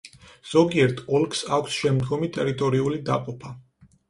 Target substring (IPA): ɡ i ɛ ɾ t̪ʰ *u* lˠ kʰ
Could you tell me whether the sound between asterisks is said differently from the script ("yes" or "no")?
yes